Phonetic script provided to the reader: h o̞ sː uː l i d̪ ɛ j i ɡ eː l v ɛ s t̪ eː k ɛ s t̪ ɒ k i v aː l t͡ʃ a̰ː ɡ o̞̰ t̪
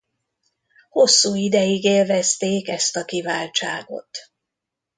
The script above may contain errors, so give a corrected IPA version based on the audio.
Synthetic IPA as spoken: h o̞ sː uː i d̪ ɛ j i ɡ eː l v ɛ s t̪ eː k ɛ s t̪ ɒ k i v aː l t͡ʃ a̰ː ɡ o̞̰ t̪